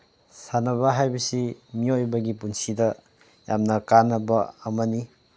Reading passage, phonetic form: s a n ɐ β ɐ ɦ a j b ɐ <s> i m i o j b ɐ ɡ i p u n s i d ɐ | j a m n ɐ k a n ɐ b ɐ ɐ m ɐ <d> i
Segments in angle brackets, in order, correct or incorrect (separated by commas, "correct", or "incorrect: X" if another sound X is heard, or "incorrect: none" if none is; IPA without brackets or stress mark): correct, incorrect: n